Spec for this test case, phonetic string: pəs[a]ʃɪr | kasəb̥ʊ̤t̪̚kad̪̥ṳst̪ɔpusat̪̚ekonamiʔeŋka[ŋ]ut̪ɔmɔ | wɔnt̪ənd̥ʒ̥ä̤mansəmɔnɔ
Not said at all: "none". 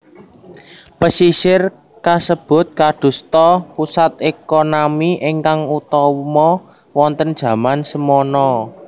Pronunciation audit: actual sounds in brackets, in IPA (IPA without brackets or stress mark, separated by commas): i, ŋ